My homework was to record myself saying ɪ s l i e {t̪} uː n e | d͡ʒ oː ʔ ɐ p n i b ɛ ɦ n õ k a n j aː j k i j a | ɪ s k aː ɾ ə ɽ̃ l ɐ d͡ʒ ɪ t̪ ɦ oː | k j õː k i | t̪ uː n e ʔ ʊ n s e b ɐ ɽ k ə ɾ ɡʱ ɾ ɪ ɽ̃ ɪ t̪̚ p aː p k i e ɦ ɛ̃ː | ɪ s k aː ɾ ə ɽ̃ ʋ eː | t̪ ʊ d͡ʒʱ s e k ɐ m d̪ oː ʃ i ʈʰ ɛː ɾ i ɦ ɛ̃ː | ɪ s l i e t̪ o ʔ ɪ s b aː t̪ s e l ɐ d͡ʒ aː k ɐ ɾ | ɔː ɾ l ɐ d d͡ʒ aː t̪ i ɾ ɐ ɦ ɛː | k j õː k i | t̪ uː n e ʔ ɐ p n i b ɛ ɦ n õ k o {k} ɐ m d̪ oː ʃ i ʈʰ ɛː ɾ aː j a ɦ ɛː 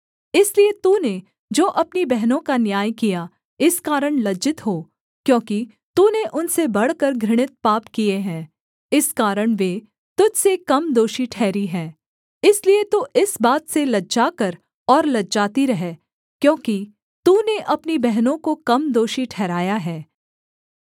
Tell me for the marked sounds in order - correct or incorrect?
correct, correct

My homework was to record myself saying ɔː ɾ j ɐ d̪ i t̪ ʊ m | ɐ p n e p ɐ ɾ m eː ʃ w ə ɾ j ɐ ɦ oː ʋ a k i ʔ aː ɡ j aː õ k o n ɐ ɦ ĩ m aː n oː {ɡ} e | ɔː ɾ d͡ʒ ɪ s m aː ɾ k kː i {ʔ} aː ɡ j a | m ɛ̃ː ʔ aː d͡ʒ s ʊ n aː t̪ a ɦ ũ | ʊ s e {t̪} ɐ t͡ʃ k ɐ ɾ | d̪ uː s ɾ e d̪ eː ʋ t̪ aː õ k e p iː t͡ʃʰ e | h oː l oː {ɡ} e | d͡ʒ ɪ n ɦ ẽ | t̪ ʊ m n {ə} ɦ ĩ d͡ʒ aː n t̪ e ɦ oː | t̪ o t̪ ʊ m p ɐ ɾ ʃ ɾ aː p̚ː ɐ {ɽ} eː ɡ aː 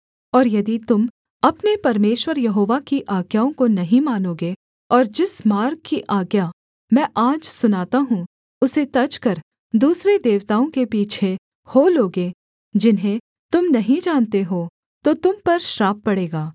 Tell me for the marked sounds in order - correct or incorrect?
correct, correct, correct, correct, incorrect: ɐ, correct

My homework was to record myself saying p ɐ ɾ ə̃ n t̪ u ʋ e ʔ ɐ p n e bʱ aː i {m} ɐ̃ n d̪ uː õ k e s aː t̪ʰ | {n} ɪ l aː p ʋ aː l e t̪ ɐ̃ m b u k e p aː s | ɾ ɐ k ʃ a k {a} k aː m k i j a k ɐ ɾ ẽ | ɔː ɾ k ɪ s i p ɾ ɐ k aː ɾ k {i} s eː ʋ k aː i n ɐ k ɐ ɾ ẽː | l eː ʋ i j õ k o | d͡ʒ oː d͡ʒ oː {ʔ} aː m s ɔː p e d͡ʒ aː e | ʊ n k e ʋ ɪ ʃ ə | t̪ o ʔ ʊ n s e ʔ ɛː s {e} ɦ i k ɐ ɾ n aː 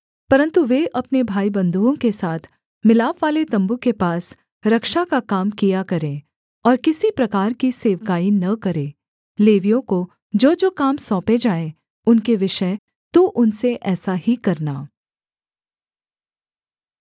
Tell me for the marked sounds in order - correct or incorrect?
incorrect: b, incorrect: m, correct, correct, incorrect: k, incorrect: a

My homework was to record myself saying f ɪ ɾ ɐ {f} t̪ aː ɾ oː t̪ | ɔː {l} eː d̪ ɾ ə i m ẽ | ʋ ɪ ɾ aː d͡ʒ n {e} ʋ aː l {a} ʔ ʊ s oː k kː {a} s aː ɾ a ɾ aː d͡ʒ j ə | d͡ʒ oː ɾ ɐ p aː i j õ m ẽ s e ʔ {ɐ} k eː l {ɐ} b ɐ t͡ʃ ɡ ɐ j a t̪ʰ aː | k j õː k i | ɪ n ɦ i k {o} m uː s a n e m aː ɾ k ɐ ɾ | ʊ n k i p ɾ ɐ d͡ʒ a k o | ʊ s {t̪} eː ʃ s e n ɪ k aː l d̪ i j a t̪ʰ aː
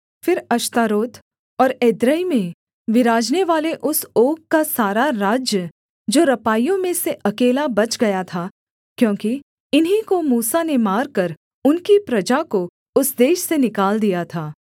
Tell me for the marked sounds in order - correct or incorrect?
incorrect: ʃ, incorrect: ɾ, correct, incorrect: e, correct, correct, incorrect: a, correct, incorrect: d̪

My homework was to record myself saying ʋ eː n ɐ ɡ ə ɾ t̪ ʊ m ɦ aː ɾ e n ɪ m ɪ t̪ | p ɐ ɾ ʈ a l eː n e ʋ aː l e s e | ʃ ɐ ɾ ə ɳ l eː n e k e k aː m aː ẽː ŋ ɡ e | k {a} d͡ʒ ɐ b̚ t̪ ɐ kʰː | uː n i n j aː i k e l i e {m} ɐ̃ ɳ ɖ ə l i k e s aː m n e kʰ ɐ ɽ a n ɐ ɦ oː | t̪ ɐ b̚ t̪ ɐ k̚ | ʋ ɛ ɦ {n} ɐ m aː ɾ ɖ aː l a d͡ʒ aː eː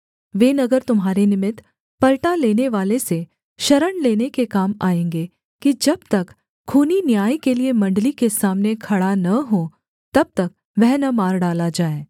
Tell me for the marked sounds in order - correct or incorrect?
incorrect: i, correct, correct

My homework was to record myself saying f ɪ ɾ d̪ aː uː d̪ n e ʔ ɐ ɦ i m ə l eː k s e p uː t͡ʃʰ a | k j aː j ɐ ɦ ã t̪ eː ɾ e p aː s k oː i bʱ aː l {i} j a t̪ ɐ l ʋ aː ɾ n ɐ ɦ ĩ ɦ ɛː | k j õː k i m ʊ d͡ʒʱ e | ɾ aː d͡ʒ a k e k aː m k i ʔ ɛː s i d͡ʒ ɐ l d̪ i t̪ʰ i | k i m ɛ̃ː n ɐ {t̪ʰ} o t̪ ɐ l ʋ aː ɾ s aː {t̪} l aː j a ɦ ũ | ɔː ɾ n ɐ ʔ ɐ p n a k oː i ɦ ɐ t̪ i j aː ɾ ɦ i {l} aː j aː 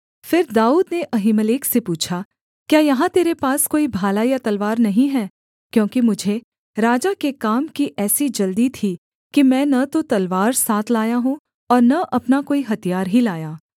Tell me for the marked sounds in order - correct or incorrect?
incorrect: a, incorrect: t̪, incorrect: t̪ʰ, correct

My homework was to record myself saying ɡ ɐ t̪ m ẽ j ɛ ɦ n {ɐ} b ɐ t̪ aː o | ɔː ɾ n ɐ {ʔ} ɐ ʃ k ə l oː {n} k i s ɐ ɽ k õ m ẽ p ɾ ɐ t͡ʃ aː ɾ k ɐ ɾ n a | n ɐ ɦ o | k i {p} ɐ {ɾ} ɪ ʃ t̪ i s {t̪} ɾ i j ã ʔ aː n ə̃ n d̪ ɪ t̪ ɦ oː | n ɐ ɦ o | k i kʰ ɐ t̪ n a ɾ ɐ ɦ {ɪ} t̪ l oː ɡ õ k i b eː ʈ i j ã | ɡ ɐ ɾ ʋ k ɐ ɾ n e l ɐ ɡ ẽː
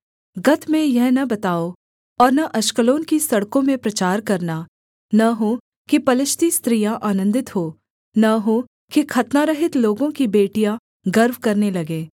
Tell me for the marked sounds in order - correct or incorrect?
correct, correct, correct, correct, incorrect: l, correct, correct

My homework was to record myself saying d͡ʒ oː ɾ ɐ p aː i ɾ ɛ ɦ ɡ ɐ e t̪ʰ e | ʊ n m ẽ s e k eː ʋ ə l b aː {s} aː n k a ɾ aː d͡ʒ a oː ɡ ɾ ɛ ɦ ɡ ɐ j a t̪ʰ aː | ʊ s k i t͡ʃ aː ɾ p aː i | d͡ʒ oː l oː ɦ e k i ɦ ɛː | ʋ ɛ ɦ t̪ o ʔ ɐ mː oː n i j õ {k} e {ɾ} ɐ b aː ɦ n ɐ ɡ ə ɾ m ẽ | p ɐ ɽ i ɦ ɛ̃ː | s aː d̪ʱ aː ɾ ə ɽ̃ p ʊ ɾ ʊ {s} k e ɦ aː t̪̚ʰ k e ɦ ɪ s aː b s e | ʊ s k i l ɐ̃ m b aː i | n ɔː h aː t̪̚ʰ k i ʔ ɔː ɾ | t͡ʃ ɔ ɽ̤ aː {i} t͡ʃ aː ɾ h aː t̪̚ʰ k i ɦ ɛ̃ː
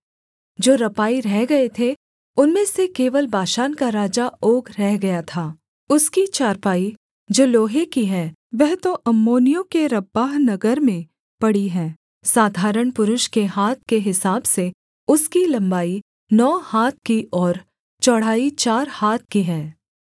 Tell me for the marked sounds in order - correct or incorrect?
incorrect: ʃ, correct, correct, incorrect: ʃ, correct

